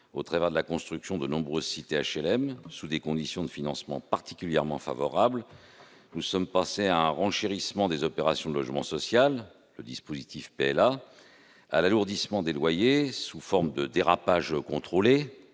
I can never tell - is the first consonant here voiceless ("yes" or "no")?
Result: yes